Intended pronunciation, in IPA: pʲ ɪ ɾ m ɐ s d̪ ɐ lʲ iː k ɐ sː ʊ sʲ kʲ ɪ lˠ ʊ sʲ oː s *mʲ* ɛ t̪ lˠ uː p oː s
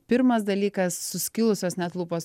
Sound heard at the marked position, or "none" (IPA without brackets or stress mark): nʲ